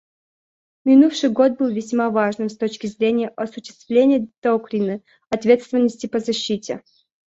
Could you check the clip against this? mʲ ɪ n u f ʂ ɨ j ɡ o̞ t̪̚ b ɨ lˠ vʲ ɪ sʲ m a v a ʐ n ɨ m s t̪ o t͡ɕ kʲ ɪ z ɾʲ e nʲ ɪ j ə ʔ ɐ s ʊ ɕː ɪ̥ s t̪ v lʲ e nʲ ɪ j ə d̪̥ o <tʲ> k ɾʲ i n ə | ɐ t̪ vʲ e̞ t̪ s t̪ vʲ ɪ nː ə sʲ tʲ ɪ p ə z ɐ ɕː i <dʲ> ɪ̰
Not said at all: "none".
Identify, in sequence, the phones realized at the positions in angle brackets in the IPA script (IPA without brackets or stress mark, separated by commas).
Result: none, tʲ